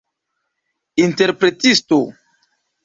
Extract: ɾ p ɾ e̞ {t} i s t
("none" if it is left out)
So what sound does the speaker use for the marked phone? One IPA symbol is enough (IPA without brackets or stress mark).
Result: t